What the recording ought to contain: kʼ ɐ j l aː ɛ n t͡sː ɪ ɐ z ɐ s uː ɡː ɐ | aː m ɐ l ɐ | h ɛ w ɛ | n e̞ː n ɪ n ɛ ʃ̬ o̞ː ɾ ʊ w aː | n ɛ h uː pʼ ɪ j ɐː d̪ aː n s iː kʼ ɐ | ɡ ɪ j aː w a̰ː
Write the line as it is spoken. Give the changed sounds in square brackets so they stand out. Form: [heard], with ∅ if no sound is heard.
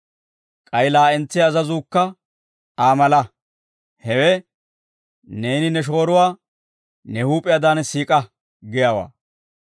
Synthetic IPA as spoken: kʼ ɐ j l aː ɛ n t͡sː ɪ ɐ z ɐ [z] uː [kː] ɐ | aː m ɐ l ɐ | h ɛ w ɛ | n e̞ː n ɪ n ɛ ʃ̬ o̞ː ɾ ʊ w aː | n ɛ h uː pʼ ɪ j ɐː d̪ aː n s iː kʼ ɐ | ɡ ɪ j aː w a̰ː